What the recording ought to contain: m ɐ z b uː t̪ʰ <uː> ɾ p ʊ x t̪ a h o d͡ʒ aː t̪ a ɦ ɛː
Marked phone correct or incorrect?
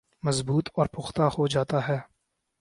incorrect